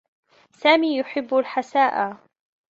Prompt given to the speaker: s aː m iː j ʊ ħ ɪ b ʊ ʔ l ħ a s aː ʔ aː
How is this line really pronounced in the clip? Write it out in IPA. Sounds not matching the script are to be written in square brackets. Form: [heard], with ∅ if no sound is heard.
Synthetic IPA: s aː m iː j ʊ ħ ɪ [bː] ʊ [∅] l ħ a s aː ʔ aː